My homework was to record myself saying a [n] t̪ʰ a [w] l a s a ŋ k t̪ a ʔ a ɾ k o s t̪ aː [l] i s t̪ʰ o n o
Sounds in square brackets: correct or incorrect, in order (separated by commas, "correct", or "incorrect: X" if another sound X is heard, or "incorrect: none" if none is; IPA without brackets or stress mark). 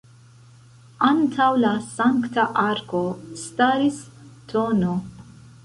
correct, correct, incorrect: ɾ